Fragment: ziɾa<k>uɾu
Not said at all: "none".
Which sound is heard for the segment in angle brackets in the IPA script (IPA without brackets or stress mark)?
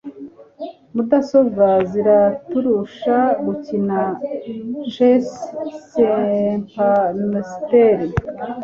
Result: t